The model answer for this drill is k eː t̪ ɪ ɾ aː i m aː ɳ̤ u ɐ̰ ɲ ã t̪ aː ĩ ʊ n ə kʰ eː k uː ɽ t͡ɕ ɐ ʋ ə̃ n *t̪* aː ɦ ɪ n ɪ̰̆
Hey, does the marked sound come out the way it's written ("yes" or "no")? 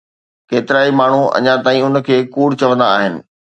no